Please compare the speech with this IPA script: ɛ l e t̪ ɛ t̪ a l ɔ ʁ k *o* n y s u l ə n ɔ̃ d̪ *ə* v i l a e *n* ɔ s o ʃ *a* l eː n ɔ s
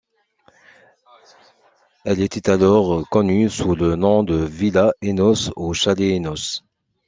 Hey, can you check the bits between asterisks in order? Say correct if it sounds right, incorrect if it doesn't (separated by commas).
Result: incorrect, correct, correct, correct